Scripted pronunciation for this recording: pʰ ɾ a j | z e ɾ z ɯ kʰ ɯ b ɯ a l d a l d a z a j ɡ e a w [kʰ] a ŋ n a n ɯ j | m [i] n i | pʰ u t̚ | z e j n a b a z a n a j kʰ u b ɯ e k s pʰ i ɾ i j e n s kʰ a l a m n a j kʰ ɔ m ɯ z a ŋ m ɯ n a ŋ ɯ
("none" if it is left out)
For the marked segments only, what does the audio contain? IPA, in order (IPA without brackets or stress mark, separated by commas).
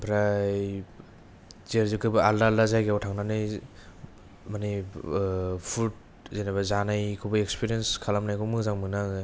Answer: tʰ, a